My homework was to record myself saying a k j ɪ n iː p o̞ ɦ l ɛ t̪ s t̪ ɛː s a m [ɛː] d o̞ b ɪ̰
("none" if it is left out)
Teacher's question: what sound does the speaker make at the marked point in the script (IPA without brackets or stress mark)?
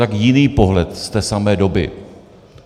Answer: ɛː